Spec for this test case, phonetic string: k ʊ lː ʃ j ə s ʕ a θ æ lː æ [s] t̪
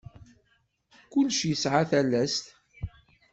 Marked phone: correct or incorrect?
correct